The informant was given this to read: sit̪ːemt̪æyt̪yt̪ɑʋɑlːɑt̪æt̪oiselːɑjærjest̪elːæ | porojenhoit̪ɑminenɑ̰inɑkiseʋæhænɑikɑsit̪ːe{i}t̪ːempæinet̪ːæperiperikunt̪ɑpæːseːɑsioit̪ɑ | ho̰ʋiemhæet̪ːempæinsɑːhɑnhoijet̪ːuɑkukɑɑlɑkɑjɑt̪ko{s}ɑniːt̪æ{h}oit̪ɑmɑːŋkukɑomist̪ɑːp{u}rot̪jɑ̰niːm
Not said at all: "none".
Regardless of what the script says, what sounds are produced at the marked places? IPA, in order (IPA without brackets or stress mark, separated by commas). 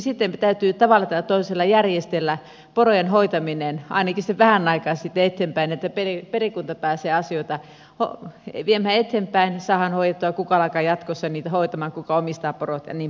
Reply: e, sː, h, o